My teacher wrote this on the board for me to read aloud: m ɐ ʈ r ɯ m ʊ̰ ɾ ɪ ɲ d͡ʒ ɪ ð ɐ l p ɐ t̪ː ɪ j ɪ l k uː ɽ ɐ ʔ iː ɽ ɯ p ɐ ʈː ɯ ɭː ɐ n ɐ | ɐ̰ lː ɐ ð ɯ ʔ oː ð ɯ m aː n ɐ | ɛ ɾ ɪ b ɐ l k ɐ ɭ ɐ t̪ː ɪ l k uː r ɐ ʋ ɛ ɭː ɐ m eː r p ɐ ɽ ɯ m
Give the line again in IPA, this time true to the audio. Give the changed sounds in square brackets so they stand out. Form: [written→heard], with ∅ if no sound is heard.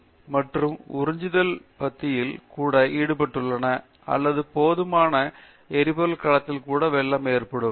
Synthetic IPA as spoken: m ɐ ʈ r ɯ m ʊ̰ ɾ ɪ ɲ d͡ʒ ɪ ð ɐ l p ɐ t̪ː ɪ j ɪ l k uː ɽ ɐ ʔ iː ɽ ɯ p ɐ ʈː ɯ ɭː ɐ n ɐ | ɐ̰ lː ɐ ð ɯ [ʔ→p] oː ð ɯ m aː n ɐ | ɛ ɾ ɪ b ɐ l k ɐ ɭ ɐ t̪ː ɪ l k uː [r→ɽ] ɐ ʋ ɛ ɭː ɐ m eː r p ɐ ɽ ɯ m